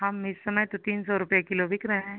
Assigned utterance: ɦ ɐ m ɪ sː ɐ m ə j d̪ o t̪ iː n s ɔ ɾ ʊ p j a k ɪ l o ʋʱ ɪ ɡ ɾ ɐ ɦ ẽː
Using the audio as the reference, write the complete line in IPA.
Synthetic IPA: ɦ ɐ m ɪ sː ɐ m ə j t̪ o t̪ iː n s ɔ ɾ ʊ p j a k ɪ l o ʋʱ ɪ k ɾ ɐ ɦ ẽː